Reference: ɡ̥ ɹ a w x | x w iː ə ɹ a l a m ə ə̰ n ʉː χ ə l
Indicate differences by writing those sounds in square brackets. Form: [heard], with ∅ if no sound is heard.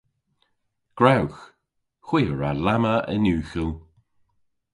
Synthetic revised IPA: ɡ̥ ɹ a w x | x w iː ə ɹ a l a m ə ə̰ n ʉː [x] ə l